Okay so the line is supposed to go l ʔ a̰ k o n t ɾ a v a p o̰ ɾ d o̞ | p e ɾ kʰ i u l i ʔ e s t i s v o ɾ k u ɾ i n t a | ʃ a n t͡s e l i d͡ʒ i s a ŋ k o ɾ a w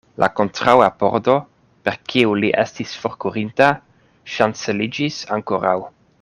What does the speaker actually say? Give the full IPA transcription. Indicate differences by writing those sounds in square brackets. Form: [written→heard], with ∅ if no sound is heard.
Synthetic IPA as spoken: l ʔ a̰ k o n t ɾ a [v→w] a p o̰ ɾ d o̞ | p e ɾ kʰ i u l i ʔ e s t i s [v→f] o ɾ k u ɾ i n t a | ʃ a n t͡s e l i d͡ʒ i s a ŋ k o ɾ a w